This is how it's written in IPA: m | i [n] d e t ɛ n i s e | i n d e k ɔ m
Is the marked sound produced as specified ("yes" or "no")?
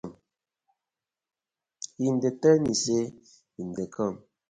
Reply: yes